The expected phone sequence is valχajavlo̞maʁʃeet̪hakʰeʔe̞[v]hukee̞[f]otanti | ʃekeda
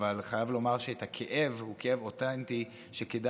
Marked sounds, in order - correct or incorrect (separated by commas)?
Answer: correct, incorrect